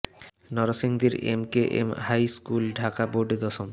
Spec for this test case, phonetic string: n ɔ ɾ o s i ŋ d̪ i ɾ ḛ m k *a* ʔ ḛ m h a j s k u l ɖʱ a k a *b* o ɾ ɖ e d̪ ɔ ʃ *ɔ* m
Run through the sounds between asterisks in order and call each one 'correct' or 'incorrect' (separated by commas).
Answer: incorrect, correct, incorrect